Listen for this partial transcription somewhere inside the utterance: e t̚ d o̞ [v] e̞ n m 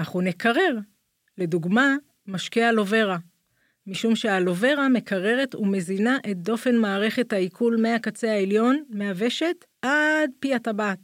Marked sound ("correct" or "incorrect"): incorrect